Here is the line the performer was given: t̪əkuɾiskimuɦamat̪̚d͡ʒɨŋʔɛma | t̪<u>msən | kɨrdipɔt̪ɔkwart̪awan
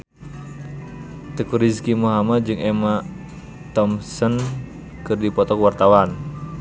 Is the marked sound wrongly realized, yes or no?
yes